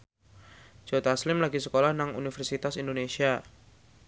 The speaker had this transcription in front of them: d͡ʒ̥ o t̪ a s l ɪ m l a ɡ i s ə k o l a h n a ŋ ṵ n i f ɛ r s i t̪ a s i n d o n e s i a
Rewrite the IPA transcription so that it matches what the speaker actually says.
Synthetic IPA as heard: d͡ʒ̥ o t̪ a s l ɪ m l a ɡ i s ə k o l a h n a ŋ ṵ n i f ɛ r s i t̪ a s i n d o n e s i a